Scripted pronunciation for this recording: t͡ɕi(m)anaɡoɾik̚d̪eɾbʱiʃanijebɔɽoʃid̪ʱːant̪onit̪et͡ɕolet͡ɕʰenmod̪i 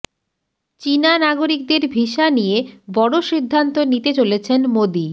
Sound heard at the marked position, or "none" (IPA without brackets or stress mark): n